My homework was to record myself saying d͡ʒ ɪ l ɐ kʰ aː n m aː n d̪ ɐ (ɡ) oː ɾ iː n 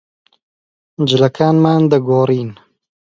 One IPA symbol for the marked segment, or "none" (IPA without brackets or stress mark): ɡ